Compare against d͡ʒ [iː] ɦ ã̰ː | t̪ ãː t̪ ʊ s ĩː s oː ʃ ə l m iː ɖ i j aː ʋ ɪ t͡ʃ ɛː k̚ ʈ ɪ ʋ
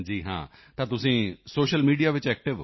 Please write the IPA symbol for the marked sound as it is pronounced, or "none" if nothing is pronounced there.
iː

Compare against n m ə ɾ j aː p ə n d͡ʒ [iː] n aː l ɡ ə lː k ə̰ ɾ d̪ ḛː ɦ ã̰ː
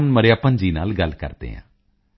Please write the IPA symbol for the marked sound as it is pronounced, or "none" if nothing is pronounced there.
iː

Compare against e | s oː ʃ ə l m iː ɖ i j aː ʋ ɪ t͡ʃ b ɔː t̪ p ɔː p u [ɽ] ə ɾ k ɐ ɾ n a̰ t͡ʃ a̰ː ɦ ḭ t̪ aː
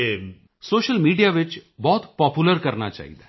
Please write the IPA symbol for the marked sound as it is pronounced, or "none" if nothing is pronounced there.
l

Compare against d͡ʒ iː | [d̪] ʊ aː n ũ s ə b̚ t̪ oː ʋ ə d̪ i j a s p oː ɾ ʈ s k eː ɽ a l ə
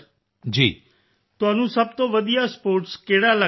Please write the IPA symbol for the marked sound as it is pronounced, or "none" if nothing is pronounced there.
t̪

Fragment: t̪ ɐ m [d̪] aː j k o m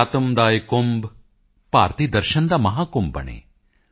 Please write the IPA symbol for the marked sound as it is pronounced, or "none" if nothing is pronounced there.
d̪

